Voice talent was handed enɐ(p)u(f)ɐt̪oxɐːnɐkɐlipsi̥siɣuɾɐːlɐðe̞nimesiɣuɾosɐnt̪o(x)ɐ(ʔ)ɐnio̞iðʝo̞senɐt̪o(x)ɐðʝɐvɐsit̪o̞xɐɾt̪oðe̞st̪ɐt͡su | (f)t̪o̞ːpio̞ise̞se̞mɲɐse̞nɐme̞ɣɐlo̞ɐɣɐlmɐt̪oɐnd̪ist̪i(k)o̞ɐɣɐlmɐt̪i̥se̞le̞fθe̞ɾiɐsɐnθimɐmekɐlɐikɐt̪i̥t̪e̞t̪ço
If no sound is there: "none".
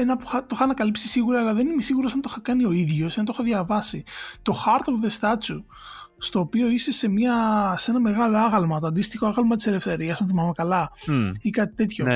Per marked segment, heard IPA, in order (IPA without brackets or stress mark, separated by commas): p, x, x, k, x, s, x